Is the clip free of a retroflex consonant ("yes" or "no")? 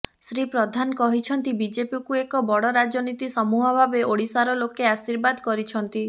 no